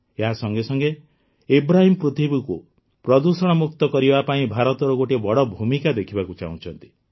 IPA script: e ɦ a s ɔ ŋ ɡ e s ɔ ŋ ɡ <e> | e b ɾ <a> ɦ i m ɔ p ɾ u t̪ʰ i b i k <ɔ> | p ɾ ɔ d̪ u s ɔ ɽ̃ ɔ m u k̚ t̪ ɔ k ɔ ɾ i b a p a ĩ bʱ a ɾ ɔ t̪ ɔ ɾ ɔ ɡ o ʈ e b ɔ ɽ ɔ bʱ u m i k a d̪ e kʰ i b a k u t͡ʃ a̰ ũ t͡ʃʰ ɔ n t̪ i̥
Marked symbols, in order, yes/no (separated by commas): yes, yes, no